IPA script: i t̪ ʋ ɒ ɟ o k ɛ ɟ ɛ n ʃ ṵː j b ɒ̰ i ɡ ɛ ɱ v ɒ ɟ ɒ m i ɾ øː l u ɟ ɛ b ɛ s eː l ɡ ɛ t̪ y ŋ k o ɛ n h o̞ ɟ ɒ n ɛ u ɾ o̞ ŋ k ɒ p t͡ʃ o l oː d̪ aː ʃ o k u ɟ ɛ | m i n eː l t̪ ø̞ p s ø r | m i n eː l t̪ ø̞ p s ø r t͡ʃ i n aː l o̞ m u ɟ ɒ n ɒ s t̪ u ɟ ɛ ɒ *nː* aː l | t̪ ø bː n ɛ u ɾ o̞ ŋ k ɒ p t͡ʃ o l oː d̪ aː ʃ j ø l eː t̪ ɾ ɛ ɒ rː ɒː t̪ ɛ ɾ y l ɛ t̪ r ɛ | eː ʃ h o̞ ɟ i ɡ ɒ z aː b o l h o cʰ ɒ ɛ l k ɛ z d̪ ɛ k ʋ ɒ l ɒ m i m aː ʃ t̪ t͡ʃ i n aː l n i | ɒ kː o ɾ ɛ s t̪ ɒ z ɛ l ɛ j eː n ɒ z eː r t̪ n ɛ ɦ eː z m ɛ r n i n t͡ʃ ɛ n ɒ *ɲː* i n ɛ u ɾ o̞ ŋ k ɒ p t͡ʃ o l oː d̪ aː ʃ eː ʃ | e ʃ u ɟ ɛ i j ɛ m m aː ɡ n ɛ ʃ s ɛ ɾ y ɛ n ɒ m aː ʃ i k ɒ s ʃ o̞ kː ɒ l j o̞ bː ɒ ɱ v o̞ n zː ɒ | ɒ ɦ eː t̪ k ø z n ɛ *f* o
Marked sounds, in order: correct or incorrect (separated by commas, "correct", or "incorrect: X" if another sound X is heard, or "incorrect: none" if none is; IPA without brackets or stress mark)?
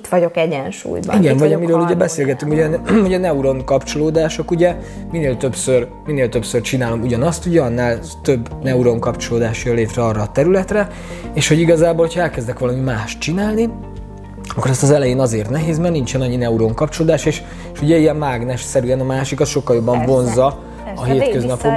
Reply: correct, correct, correct